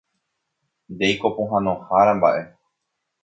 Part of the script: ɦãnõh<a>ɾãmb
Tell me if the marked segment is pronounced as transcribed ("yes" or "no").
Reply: yes